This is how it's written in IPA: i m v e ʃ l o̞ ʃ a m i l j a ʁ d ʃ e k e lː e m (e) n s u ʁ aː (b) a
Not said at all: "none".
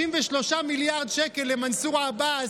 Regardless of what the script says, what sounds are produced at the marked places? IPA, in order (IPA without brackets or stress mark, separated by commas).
a, b